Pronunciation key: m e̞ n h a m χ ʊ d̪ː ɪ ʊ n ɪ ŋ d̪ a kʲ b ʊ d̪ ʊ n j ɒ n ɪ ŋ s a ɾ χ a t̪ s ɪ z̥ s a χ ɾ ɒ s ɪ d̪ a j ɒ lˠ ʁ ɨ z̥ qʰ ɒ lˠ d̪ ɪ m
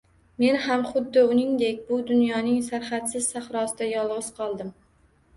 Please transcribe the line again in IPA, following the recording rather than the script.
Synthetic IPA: m e̞ n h a m χ ʊ d̪ː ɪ ʊ n ɪ ŋ d̪ e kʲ b ʊ d̪ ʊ n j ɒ n ɪ ŋ s a ɾ χ a t̪ s ɪ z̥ s a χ ɾ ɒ s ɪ d̪ a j ɒ lˠ ʁ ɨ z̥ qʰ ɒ lˠ d̪ ɪ m